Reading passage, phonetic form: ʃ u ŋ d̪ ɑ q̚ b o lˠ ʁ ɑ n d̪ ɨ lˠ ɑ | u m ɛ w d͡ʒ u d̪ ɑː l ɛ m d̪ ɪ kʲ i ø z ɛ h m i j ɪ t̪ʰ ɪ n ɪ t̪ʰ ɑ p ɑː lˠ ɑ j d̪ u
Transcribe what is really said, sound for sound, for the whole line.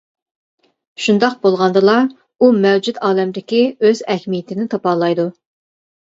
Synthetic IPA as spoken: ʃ u n d̪ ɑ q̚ b o lˠ ʁ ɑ n d̪ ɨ lˠ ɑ | u m ɛ w d͡ʒ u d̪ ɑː l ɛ m d̪ ɪ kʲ i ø z ɛ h m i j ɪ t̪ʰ ɪ n ɪ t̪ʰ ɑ p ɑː lˠ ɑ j d̪ u